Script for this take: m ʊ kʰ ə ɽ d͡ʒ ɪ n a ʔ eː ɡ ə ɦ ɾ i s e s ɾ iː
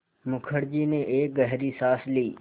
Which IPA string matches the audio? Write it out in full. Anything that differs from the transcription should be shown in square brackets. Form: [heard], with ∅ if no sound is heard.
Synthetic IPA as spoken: m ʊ kʰ ə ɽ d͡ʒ [i] n [e] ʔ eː ɡ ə ɦ ɾ i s [a] s [l] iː